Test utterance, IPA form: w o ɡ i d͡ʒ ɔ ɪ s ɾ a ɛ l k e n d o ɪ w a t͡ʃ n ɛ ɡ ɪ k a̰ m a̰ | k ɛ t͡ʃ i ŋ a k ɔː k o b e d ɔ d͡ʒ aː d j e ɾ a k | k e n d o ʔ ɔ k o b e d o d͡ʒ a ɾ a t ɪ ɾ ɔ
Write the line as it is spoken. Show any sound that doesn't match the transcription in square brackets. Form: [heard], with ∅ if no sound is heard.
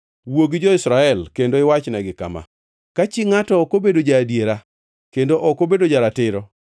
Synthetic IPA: w o ɡ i d͡ʒ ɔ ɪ s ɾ a ɛ l k e n d o ɪ w a t͡ʃ n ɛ ɡ ɪ k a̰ m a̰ | k [a] t͡ʃ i ŋ a [t] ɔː k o b e d [o] d͡ʒ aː d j e ɾ a [∅] | k e n d o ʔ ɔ k o b e d o d͡ʒ a ɾ a t ɪ ɾ ɔ